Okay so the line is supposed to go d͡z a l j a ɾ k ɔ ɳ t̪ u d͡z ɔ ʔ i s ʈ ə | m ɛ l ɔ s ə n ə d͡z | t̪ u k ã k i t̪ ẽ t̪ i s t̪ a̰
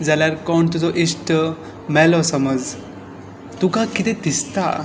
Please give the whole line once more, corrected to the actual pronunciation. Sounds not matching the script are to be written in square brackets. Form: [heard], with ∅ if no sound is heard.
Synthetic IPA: d͡z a l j a ɾ k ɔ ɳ t̪ u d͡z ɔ ʔ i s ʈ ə | m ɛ l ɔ s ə [m] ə d͡z | t̪ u k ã k i t̪ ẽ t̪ i s t̪ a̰

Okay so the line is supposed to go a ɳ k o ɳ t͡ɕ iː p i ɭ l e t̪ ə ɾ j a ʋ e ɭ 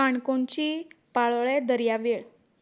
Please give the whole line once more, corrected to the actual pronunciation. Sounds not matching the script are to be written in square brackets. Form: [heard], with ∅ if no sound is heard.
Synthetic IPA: a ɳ k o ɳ t͡ɕ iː p [a] ɭ [ɭ] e [d̪] ə ɾ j a ʋ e ɭ

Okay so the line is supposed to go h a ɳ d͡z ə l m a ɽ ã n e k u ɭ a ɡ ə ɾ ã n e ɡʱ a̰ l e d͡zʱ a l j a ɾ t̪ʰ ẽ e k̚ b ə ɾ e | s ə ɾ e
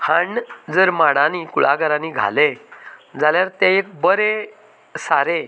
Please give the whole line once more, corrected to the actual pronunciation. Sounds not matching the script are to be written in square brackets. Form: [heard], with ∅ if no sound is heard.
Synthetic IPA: h a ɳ d͡z ə [ɾ] m a ɽ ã n [i] k u ɭ a ɡ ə ɾ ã n [i] ɡʱ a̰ l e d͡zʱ a l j a ɾ [t̪] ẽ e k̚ b ə ɾ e | s [a] ɾ e

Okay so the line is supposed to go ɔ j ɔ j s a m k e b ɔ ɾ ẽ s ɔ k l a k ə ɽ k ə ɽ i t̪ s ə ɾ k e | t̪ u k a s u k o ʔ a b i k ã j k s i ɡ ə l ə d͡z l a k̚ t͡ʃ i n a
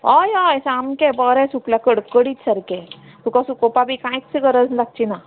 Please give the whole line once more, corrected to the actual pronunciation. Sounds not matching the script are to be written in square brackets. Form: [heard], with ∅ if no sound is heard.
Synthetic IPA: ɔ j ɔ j s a m k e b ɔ ɾ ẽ s [u] k l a k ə ɽ k ə ɽ i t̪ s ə ɾ k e | t̪ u k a s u k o [p] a b i k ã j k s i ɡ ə [ɾ] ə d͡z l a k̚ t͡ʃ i n a

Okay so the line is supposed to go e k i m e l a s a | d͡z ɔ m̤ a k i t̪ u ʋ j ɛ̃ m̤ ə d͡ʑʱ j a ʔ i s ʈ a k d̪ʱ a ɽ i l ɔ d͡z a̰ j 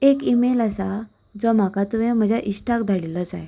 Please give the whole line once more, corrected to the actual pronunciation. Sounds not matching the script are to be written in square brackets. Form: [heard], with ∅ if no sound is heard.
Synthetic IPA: e k i m e l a s a | d͡z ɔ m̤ a k [a] t̪ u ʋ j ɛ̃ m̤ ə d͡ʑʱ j a ʔ i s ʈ a k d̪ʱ a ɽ i l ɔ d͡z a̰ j

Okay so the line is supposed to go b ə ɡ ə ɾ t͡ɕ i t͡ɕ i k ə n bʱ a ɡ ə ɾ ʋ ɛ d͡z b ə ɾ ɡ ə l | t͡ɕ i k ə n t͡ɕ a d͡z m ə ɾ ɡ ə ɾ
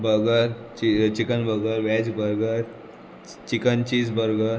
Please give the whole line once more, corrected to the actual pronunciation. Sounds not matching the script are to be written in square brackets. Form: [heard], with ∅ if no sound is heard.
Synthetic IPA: b ə ɡ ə ɾ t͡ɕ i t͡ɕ i k ə n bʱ [ə] ɡ ə ɾ ʋ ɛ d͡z b ə ɾ ɡ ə [ɾ] | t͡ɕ i k ə n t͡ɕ [i] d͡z [b] ə ɾ ɡ ə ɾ

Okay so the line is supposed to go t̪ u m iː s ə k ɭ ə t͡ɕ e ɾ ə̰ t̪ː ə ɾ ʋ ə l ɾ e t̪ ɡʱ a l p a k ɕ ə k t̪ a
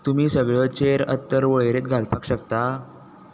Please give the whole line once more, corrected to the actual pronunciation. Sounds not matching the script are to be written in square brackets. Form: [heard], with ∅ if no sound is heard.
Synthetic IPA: t̪ u m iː s ə [ɡ] ɭ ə t͡ɕ e ɾ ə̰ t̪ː ə ɾ ʋ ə [ɭ] ɾ e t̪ ɡʱ a l p a k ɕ ə k t̪ a

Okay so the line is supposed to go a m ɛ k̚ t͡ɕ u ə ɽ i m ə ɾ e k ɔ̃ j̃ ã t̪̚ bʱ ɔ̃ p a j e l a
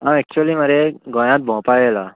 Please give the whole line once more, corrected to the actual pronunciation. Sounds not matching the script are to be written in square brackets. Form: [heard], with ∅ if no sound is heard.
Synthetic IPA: a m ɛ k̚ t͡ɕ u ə [l] i m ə ɾ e [ɡ] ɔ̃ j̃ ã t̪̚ bʱ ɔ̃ p a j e l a

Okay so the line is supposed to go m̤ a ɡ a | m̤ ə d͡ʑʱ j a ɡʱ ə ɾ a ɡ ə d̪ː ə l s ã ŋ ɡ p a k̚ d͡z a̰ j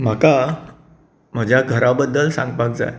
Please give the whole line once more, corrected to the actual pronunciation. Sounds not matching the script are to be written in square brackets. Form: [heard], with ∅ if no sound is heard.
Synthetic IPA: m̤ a [k] a | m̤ ə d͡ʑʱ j a ɡʱ ə ɾ a [b] ə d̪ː ə l s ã ŋ ɡ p a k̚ d͡z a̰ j

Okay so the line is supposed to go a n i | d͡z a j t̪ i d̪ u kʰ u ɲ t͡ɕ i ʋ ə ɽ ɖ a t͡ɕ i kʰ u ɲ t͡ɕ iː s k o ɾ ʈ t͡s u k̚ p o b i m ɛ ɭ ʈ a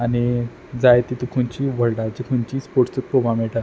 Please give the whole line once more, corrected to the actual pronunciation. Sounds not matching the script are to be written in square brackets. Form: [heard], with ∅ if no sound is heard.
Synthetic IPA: a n i | d͡z a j t̪ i [t̪] u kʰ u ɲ t͡ɕ i ʋ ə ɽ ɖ a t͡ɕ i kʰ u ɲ t͡ɕ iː s [p] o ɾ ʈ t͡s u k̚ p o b [a] m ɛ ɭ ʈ a

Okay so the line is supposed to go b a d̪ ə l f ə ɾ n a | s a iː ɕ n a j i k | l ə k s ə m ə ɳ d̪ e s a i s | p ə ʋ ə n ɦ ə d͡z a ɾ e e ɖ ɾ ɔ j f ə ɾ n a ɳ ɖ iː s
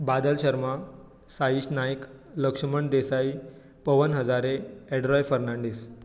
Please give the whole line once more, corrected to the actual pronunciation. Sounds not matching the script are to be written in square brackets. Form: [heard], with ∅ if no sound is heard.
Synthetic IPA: b a d̪ ə l [ɕ] ə ɾ [m] a | s a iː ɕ n a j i k | l ə k [ʂ] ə m ə ɳ d̪ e s a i [∅] | p ə ʋ ə n ɦ ə d͡z a ɾ e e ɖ ɾ ɔ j f ə ɾ n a ɳ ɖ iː s

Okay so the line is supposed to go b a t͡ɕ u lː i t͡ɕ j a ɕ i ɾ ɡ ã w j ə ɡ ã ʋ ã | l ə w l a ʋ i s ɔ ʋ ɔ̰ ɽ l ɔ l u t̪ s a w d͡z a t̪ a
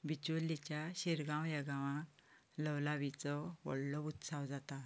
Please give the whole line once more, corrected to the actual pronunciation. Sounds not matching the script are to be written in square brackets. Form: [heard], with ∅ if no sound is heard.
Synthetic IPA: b [i] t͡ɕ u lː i t͡ɕ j a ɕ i ɾ ɡ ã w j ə ɡ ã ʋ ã | l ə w l a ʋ i [t͡s] ɔ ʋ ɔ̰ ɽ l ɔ [∅] u t̪ s a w d͡z a t̪ a

